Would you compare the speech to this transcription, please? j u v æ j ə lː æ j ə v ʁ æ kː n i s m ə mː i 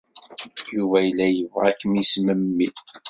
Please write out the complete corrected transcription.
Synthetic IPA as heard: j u v æ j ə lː æ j ə v ʁ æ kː m i s m ə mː i